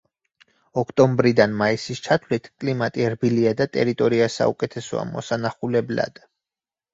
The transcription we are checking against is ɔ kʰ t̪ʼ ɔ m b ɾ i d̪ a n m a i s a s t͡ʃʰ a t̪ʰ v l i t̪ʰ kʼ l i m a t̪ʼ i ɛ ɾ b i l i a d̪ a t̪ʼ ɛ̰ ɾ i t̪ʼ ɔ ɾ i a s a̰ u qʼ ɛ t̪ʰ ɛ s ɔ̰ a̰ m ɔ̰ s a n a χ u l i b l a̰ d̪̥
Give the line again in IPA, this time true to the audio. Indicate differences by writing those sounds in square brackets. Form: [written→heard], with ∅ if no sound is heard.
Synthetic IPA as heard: ɔ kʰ t̪ʼ ɔ m b ɾ i d̪ a n m a i s [a→i] s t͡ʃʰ a t̪ʰ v l i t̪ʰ kʼ l i m a t̪ʼ i ɛ ɾ b i l i a d̪ a t̪ʼ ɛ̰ ɾ i t̪ʼ ɔ ɾ i a s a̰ u [qʼ→kʼ] ɛ t̪ʰ ɛ s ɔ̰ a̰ m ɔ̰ s a n a χ u l [i→ɛ] b l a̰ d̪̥

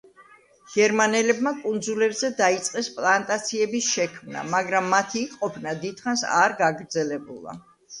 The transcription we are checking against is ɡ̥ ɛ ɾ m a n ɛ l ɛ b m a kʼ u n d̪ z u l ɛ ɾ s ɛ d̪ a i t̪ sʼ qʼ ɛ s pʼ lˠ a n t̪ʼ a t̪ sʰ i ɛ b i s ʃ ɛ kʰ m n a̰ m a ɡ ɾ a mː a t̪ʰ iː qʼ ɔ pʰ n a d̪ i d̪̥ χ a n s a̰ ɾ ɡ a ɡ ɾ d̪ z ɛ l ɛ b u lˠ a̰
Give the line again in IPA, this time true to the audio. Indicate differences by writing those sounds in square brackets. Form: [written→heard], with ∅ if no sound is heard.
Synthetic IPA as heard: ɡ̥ ɛ ɾ m a n ɛ l ɛ b m a kʼ u n d̪ z u l ɛ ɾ [s→z] ɛ d̪ a i t̪ sʼ qʼ ɛ s pʼ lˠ a n t̪ʼ a t̪ sʰ i ɛ b i s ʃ ɛ kʰ m n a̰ m a ɡ ɾ a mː a t̪ʰ iː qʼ ɔ pʰ n a d̪ i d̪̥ χ a n s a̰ ɾ ɡ a ɡ ɾ d̪ z ɛ l ɛ b u lˠ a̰

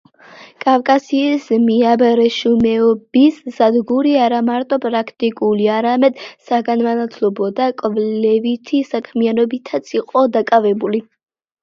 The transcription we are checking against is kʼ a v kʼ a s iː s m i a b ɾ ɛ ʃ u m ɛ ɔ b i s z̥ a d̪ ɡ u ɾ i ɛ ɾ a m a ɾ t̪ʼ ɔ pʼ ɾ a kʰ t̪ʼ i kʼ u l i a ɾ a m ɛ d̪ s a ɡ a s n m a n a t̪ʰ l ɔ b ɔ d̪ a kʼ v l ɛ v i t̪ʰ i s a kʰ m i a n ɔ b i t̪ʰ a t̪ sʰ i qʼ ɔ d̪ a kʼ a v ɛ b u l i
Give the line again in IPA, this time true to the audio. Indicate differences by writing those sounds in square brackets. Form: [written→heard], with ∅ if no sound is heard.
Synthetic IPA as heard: kʼ a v kʼ a s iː s m i a b ɾ ɛ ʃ u m ɛ ɔ b i s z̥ a d̪ ɡ u ɾ i [ɛ→a] ɾ a m a ɾ t̪ʼ ɔ pʼ ɾ a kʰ t̪ʼ i kʼ u l i a ɾ a m ɛ d̪ s a ɡ a [s→∅] n m a n a t̪ʰ l ɔ b ɔ d̪ a kʼ v l ɛ v i t̪ʰ i s a kʰ m i a n ɔ b i t̪ʰ a t̪ sʰ i qʼ ɔ d̪ a kʼ a v ɛ b u l i

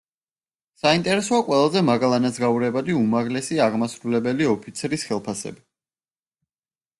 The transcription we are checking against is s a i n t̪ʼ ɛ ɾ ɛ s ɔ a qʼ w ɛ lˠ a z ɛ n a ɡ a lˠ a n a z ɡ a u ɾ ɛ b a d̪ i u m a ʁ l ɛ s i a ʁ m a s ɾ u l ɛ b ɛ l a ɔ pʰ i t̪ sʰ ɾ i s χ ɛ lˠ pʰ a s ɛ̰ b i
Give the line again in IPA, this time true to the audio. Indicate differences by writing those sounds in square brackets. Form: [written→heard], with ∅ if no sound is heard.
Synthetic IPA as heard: s a i n t̪ʼ ɛ ɾ ɛ s ɔ a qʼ w ɛ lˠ a z ɛ [n→m] a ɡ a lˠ a n a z ɡ a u ɾ ɛ b a d̪ i u m a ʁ l ɛ s i a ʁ m a s ɾ u l ɛ b ɛ l [a→i] ɔ pʰ i t̪ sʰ ɾ i s χ ɛ lˠ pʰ a s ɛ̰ b i

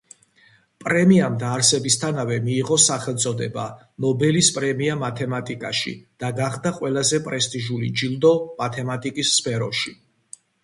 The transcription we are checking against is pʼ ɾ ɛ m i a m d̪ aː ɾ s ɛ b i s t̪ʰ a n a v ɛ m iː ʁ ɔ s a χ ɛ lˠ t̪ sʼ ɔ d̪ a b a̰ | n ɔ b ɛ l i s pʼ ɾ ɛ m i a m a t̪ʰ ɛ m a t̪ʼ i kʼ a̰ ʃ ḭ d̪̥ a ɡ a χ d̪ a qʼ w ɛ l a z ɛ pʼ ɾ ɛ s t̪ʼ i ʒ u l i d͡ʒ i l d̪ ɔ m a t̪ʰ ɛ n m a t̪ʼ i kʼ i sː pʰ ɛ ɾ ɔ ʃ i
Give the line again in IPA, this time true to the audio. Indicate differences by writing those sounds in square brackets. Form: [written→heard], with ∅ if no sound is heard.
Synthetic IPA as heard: pʼ ɾ ɛ m i a m d̪ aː ɾ s ɛ b i s t̪ʰ a n a v ɛ m iː ʁ ɔ s a χ ɛ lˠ t̪ sʼ ɔ d̪ [a→ɛ] b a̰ | n ɔ b ɛ l i s pʼ ɾ ɛ m i a m a t̪ʰ ɛ m a t̪ʼ i kʼ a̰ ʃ ḭ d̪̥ a ɡ a χ d̪ a qʼ w ɛ l a z ɛ pʼ ɾ ɛ s t̪ʼ i ʒ u l i d͡ʒ i l d̪ ɔ m a t̪ʰ ɛ [n→∅] m a t̪ʼ i kʼ i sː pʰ ɛ ɾ ɔ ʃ i

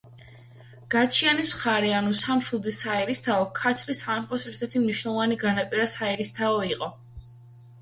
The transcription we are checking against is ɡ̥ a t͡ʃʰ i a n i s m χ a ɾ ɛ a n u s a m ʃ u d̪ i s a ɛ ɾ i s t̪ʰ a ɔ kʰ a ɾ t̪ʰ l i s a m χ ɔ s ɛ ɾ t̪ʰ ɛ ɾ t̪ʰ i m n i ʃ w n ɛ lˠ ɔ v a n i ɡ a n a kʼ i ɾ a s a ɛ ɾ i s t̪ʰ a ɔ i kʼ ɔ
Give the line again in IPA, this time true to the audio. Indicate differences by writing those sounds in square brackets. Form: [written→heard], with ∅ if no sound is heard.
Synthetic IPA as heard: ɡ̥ a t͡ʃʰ i a n i s m χ a ɾ ɛ a n u s a m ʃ u d̪ i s a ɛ ɾ i s t̪ʰ a ɔ kʰ a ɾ t̪ʰ l i s a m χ ɔ s ɛ ɾ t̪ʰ ɛ ɾ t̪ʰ i m n i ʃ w n ɛ lˠ ɔ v a n i ɡ a n a [kʼ→pʼ] i ɾ a s a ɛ ɾ i s t̪ʰ a ɔ i [kʼ→qʼ] ɔ

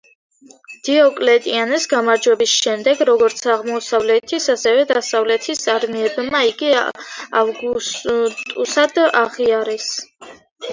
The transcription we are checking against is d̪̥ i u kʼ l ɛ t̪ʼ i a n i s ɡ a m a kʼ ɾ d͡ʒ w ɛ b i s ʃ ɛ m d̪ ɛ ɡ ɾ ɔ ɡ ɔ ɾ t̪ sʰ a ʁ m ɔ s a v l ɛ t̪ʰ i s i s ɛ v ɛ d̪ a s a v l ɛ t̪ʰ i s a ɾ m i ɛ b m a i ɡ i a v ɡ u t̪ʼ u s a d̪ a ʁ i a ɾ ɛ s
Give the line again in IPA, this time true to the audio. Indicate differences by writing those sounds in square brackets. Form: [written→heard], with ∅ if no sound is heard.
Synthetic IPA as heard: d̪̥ i [u→ɔ] kʼ l ɛ t̪ʼ i a n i s ɡ a m a [kʼ→∅] ɾ d͡ʒ w ɛ b i s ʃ ɛ m d̪ ɛ ɡ ɾ ɔ ɡ ɔ ɾ t̪ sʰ a ʁ m ɔ s a v l ɛ t̪ʰ i s [i→a] s ɛ v ɛ d̪ a s a v l ɛ t̪ʰ i s a ɾ m i ɛ b m a i ɡ i a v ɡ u t̪ʼ u s a d̪ a ʁ i a ɾ ɛ s

